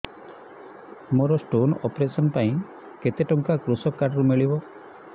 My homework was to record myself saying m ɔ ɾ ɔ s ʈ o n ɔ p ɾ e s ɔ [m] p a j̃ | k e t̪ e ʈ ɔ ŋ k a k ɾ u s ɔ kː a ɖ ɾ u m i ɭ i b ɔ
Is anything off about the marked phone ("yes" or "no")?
yes